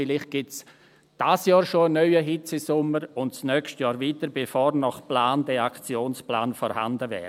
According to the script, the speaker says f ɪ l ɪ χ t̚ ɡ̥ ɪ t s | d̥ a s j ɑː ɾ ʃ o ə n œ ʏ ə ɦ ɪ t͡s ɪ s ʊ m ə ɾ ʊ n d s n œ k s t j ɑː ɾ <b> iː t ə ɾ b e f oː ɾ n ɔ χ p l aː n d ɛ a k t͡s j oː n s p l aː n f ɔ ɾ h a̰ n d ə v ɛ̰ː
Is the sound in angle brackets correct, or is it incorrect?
incorrect